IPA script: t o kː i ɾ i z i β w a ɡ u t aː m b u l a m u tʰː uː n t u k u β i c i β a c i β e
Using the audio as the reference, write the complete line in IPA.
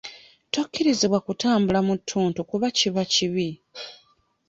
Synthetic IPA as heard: t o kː i ɾ i z i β w a k u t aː m b u l a m u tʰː uː n t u k u β a c i β a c i β i